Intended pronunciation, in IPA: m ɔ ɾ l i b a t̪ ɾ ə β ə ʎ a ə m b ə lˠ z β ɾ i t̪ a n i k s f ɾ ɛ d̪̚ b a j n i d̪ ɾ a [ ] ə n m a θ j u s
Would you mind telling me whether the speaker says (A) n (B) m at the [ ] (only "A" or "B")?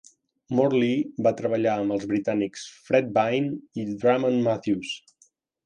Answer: B